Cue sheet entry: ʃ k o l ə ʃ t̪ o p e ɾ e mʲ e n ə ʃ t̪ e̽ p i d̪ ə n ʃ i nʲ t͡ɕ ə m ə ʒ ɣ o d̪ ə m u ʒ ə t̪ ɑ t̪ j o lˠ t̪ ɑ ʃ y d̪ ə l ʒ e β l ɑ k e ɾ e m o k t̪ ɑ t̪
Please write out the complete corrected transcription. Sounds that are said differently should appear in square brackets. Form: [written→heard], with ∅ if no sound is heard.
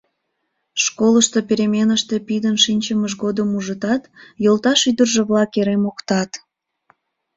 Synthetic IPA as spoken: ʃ k o l ə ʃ t̪ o p e ɾ e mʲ e n ə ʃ t̪ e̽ p i d̪ ə n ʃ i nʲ t͡ɕ ə m ə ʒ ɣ o d̪ ə m u ʒ ə t̪ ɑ t̪ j o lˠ t̪ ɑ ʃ y d̪ ə [l→r] ʒ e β l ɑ k e ɾ e m o k t̪ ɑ t̪